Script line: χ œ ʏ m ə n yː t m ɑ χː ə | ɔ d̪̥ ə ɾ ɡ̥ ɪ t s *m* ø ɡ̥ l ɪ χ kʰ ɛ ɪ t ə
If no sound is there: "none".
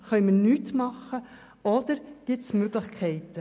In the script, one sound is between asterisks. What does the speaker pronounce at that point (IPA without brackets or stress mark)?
m